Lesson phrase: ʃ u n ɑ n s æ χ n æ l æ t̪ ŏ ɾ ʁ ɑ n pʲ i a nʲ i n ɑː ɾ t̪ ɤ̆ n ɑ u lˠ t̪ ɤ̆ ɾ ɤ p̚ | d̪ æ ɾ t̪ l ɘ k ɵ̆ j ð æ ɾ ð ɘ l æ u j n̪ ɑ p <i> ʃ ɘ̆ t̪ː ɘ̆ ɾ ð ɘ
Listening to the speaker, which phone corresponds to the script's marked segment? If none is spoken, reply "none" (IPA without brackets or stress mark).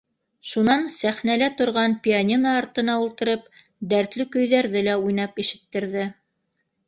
i